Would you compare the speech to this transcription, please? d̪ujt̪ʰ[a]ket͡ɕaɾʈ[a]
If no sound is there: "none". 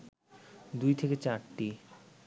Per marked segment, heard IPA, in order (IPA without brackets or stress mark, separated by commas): e, i